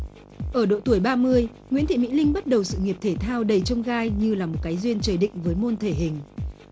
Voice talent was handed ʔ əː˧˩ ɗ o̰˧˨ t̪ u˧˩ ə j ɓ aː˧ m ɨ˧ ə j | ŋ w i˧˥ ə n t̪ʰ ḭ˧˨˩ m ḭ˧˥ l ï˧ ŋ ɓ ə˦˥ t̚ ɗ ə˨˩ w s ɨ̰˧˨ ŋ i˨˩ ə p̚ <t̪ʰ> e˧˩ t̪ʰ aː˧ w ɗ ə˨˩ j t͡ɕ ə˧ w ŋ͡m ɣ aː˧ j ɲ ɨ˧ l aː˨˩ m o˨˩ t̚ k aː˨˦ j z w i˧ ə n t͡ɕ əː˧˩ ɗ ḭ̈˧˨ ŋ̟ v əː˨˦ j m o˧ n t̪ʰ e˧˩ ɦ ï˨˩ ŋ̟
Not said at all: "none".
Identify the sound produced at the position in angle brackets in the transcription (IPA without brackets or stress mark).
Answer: t̪ʰ